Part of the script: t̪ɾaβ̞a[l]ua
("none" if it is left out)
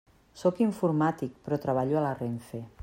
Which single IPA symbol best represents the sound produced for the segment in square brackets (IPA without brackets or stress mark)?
ʎ